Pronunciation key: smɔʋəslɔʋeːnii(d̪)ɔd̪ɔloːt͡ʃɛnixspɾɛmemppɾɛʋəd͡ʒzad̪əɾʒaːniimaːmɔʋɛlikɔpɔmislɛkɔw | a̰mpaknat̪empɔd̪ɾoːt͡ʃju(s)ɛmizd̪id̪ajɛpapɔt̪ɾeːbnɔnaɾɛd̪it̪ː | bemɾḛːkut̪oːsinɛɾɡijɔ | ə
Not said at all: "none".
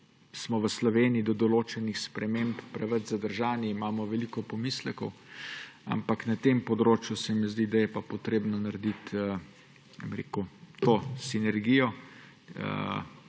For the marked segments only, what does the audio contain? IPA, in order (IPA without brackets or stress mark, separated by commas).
d̪, s